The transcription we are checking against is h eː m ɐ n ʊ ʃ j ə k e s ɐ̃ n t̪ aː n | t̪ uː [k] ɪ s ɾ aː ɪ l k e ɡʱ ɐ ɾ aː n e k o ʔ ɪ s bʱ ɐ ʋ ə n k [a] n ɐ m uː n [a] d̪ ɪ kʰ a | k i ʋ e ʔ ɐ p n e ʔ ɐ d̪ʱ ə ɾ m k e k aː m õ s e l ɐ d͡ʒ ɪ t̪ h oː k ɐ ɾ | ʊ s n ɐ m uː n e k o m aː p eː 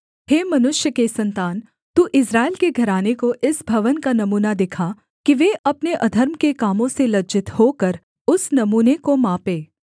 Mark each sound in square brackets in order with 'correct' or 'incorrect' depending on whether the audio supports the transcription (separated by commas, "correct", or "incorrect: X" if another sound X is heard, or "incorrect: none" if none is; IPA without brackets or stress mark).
incorrect: ʔ, correct, correct